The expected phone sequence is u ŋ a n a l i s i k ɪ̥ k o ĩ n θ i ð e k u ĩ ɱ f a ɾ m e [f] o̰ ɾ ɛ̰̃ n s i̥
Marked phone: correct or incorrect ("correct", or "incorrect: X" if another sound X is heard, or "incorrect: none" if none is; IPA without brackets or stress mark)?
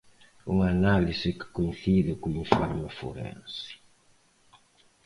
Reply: correct